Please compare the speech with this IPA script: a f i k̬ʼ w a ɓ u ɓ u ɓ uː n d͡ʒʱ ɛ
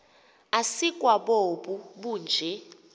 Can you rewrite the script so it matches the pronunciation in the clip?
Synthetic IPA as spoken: a s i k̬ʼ w a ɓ o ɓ u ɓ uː n d͡ʒʱ ɛ